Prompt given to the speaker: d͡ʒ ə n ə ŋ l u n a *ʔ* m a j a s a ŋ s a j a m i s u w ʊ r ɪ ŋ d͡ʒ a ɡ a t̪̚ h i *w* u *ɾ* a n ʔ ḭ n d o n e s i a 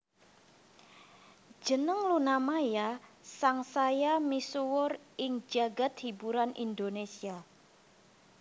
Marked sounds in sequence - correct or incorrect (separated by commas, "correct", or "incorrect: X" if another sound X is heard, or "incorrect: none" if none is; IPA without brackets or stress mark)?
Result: incorrect: none, incorrect: b, correct